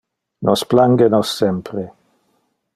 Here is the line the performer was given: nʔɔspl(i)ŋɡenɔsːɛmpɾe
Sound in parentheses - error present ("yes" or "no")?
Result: yes